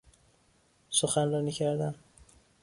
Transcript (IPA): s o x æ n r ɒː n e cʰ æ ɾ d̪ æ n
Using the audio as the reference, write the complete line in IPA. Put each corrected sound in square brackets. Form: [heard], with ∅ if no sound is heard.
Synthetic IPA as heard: s o x æ n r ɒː n [i] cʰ æ ɾ d̪ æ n